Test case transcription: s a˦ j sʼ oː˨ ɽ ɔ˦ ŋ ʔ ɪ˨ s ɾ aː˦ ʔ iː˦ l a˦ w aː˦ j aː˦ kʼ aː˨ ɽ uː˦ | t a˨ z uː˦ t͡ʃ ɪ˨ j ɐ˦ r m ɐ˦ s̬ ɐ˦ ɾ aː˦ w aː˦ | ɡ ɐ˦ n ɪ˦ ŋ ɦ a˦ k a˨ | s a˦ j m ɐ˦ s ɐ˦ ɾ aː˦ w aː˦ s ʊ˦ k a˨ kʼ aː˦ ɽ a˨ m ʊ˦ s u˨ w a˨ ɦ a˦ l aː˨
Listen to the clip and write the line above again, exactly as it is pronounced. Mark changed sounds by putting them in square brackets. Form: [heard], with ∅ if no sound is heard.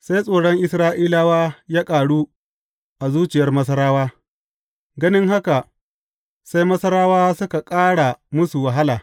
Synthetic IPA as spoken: s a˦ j sʼ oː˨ ɽ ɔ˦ ŋ ʔ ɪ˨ s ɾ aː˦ ʔ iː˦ l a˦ w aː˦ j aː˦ kʼ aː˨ ɽ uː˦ | [ʔ] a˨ z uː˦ t͡ʃ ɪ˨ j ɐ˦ r m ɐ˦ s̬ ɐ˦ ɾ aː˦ w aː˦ | ɡ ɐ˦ n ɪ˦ ŋ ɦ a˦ k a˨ | s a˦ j m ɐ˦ s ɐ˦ ɾ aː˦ w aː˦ s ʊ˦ k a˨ kʼ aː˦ ɽ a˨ m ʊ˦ s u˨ w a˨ ɦ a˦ l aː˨